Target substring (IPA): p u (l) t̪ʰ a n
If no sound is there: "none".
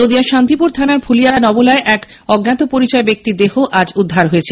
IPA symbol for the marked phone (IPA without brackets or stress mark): ɾ